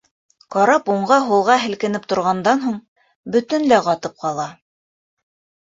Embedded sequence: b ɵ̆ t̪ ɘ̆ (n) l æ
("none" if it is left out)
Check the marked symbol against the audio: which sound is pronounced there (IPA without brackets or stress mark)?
n